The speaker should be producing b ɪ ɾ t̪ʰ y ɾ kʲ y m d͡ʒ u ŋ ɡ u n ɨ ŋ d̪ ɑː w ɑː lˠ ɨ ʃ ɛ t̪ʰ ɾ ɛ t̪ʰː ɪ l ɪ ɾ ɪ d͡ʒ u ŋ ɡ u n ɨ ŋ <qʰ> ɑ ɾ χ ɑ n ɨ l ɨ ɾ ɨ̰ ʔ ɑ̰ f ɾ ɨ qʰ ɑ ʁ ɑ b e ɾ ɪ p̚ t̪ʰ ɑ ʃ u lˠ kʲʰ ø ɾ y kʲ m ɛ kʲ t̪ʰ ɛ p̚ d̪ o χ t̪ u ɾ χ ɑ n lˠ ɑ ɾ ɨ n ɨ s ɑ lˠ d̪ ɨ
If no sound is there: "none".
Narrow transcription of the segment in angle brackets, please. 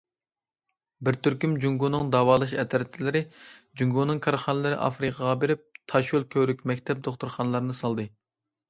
kʰ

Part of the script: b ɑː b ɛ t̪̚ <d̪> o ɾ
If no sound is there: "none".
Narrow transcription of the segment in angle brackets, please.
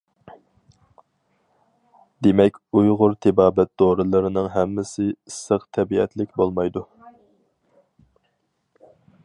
d̪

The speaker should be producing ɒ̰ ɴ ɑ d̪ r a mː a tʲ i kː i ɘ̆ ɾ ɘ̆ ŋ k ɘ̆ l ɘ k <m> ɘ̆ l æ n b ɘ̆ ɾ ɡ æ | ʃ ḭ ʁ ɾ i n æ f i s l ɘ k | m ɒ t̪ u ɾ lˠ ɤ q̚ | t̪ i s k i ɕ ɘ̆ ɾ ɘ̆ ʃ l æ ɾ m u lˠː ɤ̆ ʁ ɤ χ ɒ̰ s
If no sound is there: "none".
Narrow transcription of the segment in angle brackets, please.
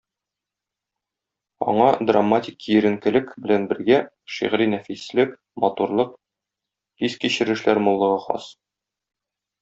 b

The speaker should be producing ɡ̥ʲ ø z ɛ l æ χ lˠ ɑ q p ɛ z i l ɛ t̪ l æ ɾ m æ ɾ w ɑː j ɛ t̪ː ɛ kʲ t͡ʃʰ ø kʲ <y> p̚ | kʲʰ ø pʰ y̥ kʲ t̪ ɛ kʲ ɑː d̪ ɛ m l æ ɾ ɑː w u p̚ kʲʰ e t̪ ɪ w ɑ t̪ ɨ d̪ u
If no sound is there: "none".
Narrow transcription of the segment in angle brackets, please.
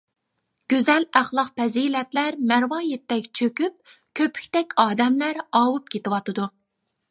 y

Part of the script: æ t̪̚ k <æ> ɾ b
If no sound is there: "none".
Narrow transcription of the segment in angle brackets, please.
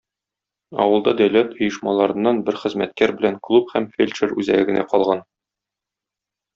æ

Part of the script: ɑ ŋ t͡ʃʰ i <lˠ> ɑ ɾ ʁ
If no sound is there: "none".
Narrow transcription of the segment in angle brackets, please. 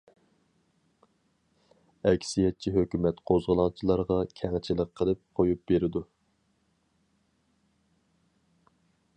lˠ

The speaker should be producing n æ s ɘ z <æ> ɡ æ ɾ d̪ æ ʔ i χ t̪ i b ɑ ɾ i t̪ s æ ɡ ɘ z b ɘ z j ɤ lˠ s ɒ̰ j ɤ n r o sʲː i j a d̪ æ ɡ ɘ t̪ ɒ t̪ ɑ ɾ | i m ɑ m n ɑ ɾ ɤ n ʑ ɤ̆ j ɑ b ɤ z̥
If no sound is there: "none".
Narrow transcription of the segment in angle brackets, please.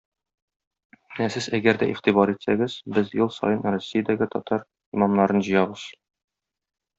æ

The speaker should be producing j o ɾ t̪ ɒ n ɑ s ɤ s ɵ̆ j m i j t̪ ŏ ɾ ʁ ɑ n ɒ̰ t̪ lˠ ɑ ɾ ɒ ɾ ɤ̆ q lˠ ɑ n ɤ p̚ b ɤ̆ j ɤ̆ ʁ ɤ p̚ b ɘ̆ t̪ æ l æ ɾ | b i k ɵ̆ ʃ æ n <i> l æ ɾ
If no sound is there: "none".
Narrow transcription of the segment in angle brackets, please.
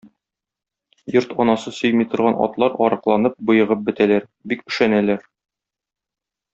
æ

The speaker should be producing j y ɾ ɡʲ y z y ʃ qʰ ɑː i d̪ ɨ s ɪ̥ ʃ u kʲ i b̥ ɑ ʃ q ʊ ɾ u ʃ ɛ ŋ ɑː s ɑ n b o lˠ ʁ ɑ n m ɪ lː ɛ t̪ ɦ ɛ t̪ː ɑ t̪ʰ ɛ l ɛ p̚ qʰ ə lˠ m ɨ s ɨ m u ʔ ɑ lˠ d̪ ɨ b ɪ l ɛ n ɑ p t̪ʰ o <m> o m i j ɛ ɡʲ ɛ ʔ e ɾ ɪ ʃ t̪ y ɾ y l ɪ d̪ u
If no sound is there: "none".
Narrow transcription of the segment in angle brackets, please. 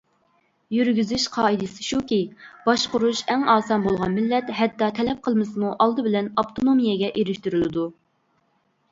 n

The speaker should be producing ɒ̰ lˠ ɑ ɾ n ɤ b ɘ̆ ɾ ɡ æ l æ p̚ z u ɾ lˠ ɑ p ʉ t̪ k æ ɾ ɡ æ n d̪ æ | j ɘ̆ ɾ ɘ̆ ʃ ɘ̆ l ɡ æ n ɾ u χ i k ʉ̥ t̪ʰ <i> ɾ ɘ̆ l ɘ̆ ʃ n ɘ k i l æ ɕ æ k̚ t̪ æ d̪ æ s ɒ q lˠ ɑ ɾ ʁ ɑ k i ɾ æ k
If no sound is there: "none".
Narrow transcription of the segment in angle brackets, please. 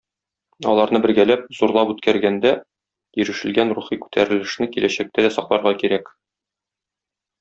æ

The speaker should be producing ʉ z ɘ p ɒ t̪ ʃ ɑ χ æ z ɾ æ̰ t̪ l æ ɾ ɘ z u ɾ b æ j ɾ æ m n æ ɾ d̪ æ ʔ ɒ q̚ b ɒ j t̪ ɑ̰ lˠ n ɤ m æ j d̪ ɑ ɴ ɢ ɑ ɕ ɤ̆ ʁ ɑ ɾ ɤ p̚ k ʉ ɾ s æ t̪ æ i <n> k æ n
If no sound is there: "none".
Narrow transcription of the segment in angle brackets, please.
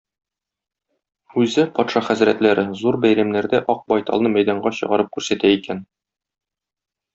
none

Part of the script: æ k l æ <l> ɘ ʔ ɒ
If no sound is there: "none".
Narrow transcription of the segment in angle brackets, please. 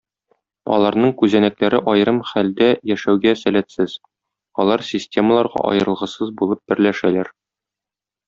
ɾ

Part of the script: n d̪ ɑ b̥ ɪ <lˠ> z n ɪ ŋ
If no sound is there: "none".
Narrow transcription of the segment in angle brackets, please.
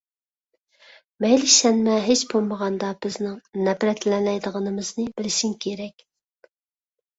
none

